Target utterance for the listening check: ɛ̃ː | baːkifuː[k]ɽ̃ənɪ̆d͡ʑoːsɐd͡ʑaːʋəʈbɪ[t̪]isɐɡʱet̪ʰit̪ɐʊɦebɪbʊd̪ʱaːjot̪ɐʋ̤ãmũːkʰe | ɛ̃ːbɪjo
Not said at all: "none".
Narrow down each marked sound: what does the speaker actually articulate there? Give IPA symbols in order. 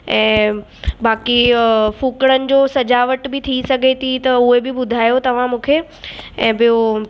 k, t̪ʰ

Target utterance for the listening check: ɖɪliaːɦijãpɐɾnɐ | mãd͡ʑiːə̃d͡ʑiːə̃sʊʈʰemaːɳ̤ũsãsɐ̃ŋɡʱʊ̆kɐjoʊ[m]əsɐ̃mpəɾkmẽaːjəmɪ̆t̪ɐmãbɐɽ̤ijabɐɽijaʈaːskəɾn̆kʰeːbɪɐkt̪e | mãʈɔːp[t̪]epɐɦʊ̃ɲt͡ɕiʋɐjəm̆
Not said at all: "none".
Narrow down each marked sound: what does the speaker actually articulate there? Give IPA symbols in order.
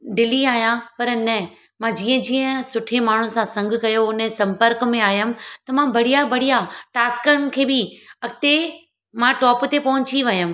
n, t̪

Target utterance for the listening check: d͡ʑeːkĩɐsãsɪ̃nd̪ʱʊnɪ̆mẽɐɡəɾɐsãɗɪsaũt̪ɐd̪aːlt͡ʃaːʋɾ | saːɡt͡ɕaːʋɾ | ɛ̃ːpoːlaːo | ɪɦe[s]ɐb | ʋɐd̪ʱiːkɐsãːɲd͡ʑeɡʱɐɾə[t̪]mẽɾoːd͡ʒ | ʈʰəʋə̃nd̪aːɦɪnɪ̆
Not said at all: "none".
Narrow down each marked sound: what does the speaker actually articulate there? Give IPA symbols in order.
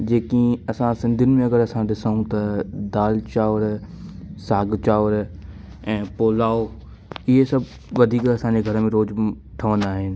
s, none

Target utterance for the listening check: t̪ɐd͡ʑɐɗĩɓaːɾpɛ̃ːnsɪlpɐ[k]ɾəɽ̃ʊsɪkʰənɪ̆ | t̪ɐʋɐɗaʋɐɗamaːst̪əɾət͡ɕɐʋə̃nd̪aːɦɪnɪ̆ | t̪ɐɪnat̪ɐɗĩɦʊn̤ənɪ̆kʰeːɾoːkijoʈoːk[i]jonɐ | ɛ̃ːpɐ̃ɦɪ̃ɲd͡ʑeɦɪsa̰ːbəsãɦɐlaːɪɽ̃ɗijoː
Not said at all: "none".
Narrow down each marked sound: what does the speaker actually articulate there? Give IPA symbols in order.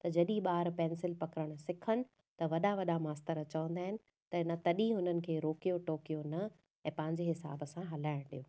k, i

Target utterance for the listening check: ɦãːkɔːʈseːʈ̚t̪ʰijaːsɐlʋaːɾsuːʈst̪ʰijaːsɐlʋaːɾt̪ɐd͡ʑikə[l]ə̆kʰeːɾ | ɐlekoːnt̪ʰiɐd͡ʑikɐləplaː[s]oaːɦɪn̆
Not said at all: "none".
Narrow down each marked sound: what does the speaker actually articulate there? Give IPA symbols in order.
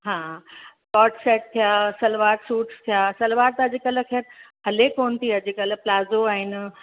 l, z

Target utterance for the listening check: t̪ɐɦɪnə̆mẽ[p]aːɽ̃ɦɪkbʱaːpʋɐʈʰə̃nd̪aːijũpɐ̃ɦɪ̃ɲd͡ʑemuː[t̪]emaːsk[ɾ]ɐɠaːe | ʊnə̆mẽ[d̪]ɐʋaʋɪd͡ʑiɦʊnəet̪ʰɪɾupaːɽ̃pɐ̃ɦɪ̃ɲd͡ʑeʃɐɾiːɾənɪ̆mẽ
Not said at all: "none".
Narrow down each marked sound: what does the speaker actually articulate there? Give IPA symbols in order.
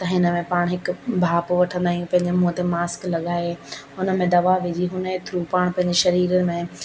p, t̪, l, d̪

